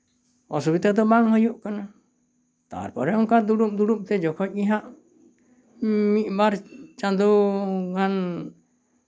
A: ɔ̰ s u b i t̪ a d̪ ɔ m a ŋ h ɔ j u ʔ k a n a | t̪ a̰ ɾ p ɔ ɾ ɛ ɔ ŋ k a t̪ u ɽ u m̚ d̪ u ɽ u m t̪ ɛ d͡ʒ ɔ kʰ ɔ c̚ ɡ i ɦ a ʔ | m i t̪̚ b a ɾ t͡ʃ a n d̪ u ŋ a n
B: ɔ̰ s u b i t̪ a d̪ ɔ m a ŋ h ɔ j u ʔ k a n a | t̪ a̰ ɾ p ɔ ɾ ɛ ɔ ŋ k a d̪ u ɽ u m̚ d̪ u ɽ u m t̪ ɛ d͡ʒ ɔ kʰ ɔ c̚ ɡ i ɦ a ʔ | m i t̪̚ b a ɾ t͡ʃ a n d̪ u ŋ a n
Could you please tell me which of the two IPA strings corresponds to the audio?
B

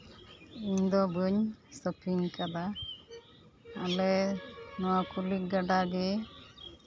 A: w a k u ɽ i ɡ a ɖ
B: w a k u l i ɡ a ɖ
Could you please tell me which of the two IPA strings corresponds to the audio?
B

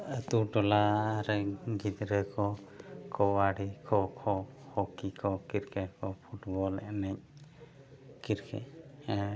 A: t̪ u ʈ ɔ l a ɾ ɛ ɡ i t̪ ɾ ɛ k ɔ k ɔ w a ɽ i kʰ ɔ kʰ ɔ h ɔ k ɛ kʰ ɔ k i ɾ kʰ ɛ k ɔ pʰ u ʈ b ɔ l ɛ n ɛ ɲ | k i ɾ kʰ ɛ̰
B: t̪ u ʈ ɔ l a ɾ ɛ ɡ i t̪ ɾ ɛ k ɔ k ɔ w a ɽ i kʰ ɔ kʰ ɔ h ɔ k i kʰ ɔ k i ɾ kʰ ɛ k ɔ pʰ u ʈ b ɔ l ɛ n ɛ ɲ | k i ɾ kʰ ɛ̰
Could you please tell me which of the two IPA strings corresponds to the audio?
B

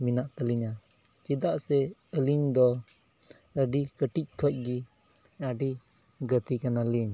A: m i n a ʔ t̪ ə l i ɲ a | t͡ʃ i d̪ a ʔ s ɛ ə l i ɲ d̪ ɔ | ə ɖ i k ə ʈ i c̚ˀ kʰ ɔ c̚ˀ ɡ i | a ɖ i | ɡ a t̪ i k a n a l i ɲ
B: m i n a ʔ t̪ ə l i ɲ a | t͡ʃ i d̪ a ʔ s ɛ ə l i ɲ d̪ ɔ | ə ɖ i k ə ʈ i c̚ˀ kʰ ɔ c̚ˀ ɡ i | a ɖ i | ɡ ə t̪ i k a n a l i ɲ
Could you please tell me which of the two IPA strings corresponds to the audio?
B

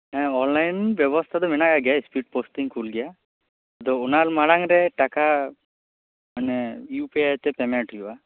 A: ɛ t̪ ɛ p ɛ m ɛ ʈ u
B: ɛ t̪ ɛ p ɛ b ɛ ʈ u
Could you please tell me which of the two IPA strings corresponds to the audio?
A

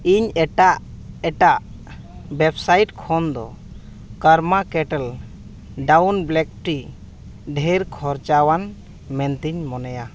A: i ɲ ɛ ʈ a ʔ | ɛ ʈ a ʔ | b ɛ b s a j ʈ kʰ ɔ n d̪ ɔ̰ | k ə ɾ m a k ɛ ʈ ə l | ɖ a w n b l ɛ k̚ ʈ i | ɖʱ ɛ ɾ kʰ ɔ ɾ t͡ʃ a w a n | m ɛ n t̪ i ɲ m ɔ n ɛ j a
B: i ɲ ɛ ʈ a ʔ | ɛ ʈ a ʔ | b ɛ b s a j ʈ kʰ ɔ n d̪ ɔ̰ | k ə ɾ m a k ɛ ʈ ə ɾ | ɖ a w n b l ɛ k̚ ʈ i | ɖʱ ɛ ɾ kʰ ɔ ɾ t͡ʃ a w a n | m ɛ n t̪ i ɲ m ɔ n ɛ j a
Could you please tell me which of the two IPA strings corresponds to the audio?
A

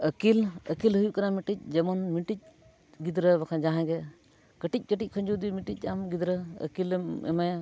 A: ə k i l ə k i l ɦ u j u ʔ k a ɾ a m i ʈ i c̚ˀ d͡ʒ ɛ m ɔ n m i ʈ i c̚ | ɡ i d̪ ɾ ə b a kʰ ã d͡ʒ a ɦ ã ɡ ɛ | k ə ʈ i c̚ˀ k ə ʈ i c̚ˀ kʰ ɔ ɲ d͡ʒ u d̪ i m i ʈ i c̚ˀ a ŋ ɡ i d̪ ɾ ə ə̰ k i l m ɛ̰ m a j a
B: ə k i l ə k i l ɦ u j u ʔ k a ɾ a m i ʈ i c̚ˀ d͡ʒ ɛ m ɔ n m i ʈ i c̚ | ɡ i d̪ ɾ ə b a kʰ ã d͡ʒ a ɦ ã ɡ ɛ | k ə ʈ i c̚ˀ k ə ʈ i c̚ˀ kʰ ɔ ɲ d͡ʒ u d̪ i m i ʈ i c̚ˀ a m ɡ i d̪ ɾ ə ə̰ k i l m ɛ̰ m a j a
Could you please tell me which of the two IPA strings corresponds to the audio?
B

